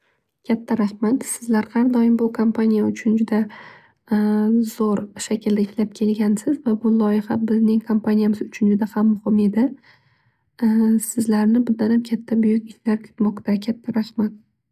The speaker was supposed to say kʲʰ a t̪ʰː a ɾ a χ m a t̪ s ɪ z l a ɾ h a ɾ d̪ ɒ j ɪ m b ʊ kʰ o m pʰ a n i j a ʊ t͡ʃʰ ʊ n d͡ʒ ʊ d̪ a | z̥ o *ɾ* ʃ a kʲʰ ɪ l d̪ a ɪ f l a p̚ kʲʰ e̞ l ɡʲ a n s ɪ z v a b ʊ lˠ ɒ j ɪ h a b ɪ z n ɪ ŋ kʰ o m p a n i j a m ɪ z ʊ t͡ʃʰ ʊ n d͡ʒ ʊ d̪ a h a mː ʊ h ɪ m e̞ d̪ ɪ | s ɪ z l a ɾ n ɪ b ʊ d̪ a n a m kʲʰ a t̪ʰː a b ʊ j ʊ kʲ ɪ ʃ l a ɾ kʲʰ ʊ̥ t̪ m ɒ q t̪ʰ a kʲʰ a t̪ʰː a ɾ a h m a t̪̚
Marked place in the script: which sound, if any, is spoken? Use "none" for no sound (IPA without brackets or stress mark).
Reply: ɾ